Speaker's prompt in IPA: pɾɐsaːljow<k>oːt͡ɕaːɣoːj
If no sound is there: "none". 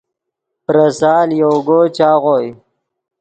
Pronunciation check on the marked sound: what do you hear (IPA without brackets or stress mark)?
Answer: ɡ